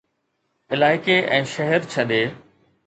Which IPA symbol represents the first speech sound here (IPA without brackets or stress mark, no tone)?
ɪ